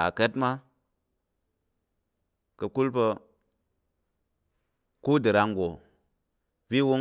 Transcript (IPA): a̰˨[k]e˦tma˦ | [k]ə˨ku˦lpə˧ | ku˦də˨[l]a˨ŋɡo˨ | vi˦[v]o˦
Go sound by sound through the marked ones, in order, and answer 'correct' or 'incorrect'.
correct, correct, incorrect: ɾ, incorrect: w

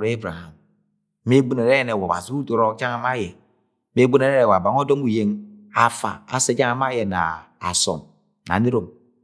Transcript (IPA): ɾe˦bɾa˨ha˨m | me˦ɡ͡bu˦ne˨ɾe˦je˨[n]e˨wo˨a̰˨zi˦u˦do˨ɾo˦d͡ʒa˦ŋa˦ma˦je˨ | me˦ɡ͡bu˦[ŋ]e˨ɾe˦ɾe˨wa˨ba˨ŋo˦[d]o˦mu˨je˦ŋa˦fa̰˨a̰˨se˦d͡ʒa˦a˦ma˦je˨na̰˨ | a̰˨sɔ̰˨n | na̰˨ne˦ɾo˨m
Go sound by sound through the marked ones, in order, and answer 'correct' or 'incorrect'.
correct, incorrect: n, correct

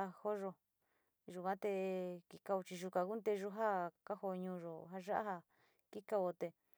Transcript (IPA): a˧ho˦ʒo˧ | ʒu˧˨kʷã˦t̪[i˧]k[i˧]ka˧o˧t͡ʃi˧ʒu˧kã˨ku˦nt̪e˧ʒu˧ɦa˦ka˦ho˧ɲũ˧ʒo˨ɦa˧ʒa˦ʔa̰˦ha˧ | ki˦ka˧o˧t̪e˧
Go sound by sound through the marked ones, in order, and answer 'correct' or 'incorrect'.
incorrect: e˧, correct

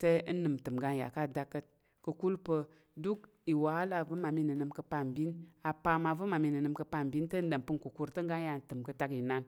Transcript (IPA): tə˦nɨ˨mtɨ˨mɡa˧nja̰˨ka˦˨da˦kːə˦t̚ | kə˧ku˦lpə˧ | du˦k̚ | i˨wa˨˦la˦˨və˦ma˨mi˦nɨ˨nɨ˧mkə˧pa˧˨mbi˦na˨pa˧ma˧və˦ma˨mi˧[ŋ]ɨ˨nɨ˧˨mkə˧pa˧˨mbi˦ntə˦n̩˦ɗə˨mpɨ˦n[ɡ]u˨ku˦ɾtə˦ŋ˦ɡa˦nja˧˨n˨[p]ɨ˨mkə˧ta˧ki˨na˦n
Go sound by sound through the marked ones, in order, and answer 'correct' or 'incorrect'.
incorrect: n, incorrect: k, incorrect: t

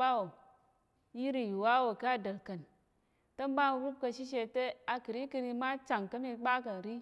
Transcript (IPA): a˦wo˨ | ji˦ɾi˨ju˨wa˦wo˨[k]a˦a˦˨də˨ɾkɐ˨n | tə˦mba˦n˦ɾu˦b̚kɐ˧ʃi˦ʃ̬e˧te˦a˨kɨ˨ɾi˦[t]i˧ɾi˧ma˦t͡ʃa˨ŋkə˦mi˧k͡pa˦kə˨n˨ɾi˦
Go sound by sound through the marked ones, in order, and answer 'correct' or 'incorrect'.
correct, incorrect: k

